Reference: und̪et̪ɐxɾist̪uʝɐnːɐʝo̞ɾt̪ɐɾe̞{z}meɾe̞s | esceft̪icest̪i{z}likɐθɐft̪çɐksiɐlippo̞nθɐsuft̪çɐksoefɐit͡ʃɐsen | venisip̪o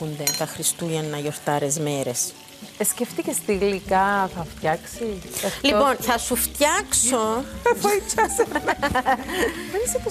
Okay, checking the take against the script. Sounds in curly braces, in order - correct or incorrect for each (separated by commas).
correct, incorrect